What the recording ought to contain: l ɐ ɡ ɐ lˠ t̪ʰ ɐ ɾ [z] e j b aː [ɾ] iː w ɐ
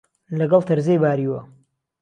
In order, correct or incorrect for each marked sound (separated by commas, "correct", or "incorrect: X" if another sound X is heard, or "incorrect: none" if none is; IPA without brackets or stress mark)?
correct, correct